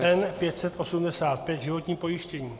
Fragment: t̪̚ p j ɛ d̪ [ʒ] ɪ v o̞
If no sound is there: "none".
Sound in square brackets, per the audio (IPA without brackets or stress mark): ʒ